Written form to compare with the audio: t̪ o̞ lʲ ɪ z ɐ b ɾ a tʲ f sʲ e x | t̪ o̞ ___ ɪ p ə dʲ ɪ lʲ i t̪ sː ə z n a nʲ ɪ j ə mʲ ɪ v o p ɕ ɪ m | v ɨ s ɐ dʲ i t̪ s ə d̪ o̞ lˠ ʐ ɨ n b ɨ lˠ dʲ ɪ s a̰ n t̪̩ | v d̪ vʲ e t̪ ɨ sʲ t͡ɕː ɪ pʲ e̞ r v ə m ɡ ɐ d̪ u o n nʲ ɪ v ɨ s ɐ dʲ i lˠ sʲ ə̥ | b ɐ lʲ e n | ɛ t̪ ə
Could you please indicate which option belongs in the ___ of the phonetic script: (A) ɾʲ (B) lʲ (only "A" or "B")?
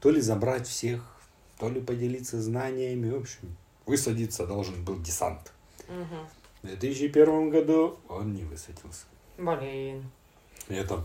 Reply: B